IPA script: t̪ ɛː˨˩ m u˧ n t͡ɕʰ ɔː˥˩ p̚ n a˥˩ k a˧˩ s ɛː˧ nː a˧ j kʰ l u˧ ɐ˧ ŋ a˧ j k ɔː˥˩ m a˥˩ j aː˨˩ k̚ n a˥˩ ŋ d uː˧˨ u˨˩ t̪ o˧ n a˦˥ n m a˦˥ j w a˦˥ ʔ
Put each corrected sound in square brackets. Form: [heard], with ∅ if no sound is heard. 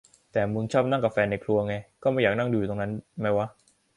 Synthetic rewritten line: t̪ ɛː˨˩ m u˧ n t͡ɕʰ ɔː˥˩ p̚ n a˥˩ k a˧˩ [f] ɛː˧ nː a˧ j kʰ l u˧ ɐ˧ ŋ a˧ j k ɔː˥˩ m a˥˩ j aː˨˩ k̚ n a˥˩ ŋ d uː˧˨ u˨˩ t̪ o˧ n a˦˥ n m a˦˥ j w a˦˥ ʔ